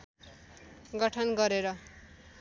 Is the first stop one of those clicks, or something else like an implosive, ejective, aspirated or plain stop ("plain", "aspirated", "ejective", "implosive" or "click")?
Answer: plain